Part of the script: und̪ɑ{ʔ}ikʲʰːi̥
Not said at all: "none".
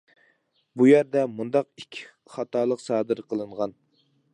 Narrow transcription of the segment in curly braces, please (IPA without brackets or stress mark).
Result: q